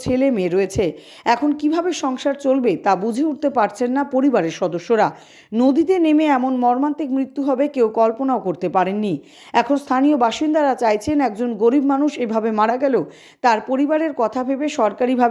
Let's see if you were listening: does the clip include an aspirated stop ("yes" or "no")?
yes